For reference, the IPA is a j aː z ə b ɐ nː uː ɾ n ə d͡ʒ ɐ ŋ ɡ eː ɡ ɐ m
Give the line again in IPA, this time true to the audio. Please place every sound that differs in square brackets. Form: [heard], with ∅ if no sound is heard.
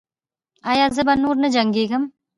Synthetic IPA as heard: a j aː z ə b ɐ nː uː ɾ n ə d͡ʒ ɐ ŋ ɡ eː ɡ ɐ m